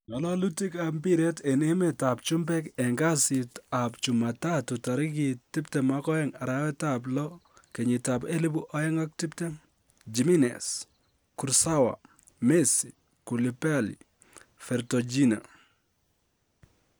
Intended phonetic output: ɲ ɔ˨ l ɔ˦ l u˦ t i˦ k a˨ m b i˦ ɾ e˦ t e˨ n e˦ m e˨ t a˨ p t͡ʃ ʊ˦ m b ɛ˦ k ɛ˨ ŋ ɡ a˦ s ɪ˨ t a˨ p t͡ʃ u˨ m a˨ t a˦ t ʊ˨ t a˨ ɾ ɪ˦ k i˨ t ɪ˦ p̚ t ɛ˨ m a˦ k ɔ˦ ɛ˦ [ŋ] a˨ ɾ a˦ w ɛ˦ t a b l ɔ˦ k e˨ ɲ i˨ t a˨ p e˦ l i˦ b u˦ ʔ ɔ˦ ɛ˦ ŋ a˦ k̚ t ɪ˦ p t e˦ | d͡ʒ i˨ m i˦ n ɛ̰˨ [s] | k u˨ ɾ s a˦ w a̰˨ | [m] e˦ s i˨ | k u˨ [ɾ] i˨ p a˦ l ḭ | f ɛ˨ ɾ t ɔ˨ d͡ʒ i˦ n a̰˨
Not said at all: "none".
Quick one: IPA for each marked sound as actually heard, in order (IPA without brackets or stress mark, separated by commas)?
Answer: ŋ, s, m, l